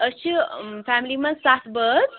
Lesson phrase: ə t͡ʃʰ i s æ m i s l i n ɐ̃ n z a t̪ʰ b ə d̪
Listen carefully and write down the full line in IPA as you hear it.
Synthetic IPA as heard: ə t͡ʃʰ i f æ m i l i m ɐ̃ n s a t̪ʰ b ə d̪